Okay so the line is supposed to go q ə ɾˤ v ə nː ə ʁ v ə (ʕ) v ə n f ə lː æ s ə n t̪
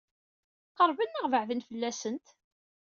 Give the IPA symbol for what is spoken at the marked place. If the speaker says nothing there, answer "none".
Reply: ʕ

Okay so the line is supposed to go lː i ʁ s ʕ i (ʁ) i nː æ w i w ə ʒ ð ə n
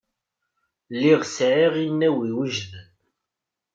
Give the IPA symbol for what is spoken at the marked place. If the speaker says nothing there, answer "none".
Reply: ʁ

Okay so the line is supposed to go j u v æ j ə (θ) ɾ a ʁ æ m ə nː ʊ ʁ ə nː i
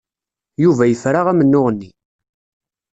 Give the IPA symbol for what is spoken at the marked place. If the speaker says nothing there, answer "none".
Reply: f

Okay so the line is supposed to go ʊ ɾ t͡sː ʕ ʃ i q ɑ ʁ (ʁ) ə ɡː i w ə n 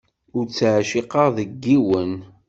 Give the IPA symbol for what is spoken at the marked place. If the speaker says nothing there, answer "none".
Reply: ð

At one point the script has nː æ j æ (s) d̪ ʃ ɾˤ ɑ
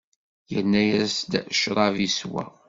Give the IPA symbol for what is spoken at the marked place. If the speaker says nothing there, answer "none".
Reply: s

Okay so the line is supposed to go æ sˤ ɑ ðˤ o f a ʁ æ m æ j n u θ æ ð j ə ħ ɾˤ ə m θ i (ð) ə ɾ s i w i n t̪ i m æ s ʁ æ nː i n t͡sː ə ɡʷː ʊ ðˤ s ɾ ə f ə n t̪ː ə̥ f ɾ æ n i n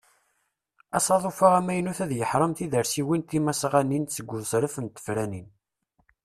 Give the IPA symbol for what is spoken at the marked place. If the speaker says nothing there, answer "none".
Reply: ð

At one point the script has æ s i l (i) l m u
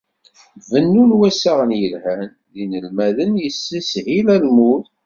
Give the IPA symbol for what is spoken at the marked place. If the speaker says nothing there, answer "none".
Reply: æ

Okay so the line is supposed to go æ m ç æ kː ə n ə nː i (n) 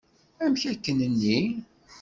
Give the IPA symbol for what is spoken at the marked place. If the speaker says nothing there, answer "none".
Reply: none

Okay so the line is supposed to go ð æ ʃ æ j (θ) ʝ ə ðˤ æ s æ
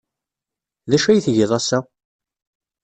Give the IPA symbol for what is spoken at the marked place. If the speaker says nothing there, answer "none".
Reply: θ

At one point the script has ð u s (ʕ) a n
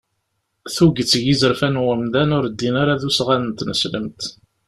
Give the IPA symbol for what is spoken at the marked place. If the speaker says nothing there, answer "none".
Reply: ʁ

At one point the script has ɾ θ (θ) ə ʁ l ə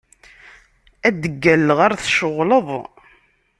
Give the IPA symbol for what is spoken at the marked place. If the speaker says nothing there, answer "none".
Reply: ʃ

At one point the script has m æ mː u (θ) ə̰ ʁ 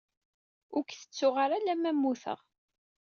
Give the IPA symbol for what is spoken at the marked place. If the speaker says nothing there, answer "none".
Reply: θ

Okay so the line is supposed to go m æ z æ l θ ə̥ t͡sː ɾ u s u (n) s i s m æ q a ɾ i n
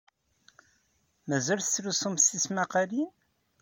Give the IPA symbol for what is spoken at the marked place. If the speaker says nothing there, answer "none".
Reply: m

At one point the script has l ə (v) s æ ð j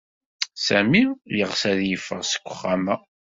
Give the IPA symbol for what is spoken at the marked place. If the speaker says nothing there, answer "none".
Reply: ʁ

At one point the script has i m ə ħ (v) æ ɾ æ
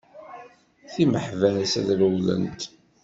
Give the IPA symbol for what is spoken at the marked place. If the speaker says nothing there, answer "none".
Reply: v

